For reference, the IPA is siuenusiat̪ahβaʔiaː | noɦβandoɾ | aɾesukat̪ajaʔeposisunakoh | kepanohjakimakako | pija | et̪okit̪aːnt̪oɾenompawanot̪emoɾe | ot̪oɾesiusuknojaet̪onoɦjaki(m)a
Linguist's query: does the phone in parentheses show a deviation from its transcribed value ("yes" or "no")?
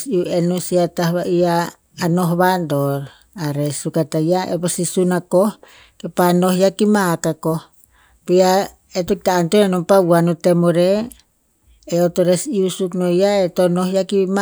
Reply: no